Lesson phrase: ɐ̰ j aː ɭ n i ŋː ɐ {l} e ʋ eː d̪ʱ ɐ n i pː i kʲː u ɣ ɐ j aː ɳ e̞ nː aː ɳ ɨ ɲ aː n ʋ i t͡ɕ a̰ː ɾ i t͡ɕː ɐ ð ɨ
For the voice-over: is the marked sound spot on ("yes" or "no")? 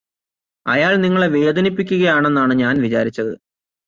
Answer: no